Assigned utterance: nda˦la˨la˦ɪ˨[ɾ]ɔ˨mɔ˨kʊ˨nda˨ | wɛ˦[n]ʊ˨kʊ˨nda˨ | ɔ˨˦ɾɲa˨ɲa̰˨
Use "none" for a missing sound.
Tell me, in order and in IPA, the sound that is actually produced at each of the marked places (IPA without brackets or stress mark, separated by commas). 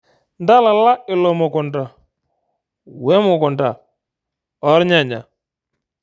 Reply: l, m